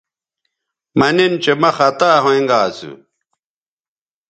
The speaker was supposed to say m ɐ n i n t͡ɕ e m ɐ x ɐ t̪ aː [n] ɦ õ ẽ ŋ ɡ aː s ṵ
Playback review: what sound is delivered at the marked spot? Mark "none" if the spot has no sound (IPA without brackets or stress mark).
none